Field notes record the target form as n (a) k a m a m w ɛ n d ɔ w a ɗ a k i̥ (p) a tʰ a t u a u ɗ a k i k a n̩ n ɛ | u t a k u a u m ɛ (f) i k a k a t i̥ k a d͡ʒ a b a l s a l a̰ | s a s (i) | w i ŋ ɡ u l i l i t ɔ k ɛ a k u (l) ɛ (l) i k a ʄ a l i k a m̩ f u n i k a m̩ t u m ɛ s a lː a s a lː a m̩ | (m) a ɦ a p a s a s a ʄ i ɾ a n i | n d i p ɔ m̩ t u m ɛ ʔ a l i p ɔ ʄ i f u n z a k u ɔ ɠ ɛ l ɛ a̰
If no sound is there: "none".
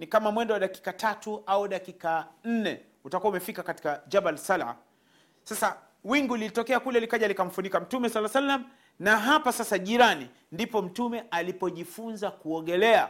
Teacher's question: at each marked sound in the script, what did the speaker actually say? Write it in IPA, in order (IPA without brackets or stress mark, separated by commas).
i, k, f, a, l, l, n